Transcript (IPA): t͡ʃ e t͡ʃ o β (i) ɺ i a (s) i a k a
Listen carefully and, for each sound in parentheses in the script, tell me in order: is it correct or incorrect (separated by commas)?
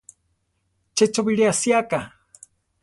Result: correct, correct